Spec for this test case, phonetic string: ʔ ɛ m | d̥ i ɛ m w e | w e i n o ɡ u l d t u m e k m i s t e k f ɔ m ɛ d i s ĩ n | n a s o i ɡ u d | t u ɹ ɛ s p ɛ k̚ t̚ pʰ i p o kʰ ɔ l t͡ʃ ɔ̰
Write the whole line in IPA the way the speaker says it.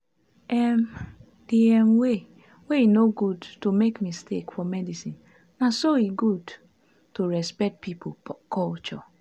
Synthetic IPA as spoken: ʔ ɛ m | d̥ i ɛ m w e | w e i n o ɡ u d t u m e k m i s t e k f ɔ m ɛ d i s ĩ n | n a s o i ɡ u d | t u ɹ ɛ s p ɛ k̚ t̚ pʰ i p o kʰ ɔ l t͡ʃ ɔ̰